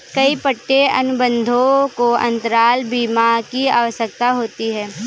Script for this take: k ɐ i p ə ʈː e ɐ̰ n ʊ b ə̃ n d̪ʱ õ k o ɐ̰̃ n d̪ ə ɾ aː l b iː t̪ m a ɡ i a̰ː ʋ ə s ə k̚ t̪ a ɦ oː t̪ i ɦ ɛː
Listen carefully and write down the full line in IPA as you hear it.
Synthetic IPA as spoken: k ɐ i p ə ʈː e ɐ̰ n ʊ b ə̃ n d̪ʱ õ k o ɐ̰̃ n t̪ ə ɾ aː l b iː m a k i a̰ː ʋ ə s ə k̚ t̪ a ɦ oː t̪ i ɦ ɛː